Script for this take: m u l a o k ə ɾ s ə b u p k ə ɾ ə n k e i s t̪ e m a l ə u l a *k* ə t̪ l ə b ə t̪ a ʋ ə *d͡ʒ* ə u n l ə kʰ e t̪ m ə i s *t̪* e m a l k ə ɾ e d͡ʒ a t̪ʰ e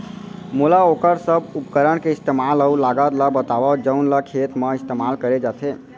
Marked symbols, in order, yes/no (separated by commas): no, yes, yes